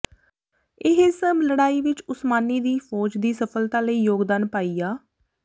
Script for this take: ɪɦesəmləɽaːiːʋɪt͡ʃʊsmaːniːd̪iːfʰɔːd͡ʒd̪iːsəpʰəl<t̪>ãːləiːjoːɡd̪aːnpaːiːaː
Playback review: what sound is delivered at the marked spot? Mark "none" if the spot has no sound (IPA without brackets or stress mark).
t̪